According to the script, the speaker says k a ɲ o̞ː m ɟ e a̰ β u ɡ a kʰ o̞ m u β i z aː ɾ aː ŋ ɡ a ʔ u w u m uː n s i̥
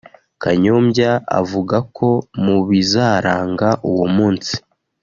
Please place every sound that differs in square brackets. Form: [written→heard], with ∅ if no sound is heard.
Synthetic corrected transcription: k a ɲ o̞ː m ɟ [e→a] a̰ [β→v] u ɡ a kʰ o̞ m u β i z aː ɾ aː ŋ ɡ a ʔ u w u m uː n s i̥